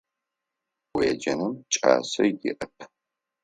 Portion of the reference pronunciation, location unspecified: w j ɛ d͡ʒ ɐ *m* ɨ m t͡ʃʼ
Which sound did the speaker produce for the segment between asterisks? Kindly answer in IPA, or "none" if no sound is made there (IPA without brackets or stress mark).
n